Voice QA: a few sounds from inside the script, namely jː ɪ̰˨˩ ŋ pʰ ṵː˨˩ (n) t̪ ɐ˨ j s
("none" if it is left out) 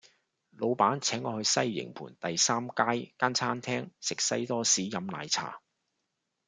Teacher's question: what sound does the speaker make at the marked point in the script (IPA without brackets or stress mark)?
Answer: n